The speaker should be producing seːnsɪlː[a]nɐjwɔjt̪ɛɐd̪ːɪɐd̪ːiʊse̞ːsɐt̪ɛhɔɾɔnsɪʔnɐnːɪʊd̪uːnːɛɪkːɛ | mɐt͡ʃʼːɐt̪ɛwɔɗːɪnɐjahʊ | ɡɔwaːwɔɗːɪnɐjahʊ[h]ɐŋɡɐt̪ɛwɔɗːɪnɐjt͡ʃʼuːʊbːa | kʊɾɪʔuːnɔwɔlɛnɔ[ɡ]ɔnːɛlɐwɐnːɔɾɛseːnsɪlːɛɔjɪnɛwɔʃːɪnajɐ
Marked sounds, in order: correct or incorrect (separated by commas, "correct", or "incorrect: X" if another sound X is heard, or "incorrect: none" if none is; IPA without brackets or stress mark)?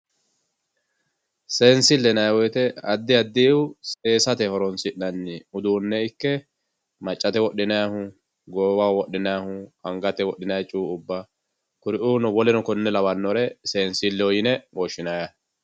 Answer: incorrect: ɛ, correct, incorrect: k